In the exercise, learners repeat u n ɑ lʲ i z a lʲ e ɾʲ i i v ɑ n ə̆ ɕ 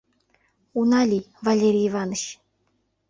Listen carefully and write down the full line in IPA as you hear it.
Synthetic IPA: u n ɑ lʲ i v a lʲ e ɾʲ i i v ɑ n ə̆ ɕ